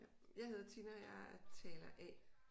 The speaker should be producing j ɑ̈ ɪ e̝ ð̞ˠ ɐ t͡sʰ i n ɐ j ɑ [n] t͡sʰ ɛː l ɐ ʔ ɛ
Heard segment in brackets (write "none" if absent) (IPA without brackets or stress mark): none